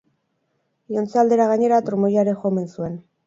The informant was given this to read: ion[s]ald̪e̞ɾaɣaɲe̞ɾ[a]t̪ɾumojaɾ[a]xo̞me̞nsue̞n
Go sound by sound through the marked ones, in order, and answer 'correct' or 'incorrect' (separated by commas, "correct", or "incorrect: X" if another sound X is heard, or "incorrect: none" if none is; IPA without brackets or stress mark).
incorrect: t͡s, correct, incorrect: e